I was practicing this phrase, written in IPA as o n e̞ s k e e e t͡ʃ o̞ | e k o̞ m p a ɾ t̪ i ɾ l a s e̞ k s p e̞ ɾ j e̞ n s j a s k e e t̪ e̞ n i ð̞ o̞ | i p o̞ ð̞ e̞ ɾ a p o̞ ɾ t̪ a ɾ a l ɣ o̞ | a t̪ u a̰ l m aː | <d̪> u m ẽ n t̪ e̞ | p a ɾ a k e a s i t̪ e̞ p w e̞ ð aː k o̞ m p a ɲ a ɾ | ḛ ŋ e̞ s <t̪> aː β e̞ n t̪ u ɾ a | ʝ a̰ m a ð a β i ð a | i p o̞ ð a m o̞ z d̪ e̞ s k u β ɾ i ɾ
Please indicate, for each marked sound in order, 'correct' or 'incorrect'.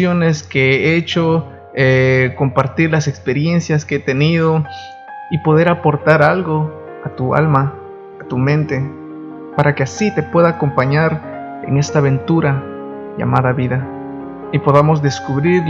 incorrect, correct

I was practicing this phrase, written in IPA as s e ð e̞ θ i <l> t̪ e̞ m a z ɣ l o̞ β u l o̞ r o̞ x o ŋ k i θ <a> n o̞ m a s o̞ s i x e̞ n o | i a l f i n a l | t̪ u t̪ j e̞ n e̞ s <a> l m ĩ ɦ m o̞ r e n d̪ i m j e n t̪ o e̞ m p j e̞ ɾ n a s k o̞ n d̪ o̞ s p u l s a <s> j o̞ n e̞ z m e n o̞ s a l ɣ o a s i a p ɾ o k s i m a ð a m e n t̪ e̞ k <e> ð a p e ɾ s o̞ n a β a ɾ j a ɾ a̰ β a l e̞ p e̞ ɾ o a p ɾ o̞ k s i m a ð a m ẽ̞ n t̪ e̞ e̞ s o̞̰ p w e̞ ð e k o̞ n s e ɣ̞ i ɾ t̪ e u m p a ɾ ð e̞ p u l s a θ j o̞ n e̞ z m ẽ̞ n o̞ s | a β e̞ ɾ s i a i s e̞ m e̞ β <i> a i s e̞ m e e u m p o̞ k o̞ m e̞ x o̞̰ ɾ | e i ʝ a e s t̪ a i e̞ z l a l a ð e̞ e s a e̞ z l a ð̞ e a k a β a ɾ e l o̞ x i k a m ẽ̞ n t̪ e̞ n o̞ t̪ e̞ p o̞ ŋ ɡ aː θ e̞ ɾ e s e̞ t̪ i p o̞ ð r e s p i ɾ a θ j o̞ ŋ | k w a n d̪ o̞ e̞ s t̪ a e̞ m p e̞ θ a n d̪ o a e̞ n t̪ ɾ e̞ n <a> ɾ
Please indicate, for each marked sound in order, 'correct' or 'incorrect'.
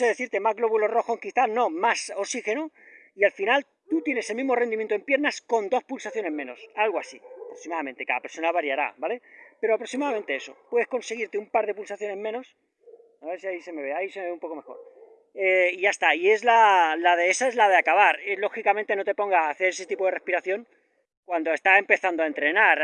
incorrect, correct, incorrect, incorrect, incorrect, incorrect, correct

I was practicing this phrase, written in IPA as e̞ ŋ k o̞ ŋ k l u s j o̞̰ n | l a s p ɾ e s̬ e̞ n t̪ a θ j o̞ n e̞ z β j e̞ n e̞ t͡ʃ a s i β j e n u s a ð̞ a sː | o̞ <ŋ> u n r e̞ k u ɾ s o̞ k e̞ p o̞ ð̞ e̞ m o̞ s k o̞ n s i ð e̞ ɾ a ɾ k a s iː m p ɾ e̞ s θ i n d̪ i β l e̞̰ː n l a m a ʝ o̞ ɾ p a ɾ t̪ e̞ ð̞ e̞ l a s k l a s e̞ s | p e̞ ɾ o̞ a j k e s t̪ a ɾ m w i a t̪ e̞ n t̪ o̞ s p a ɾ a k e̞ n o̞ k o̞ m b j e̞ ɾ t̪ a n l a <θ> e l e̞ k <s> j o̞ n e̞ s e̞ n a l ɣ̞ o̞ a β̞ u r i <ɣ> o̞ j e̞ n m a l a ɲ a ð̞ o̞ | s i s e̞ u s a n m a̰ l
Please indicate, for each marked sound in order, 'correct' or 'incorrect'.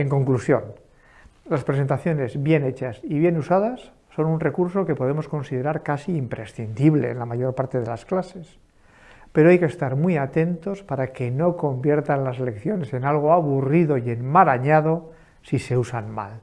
incorrect, incorrect, incorrect, incorrect

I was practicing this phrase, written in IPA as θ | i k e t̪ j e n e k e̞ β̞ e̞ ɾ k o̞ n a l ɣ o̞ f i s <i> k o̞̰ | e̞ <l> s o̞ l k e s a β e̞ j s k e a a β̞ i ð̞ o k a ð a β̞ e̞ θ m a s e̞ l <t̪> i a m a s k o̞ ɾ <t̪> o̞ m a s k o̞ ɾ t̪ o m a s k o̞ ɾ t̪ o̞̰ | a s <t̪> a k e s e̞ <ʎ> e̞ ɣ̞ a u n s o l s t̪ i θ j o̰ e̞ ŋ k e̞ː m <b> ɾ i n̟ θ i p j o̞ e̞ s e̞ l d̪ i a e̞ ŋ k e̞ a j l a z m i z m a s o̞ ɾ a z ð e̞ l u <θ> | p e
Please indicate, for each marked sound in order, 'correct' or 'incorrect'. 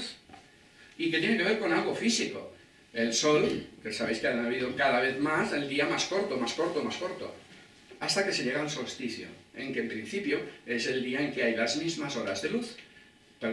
correct, correct, incorrect, correct, correct, correct, incorrect, correct

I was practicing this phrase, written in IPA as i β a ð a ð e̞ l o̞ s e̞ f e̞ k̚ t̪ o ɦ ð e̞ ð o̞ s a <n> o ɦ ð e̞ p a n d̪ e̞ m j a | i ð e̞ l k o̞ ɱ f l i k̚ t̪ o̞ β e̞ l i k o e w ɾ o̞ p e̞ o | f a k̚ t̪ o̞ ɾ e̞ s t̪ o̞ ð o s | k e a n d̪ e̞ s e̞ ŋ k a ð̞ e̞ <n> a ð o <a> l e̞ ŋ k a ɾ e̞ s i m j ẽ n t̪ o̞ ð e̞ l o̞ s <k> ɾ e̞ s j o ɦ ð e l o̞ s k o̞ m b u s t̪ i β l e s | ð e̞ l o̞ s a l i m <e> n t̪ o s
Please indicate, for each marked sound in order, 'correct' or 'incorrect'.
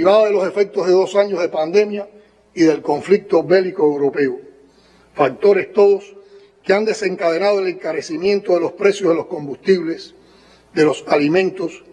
incorrect, correct, incorrect, incorrect, incorrect

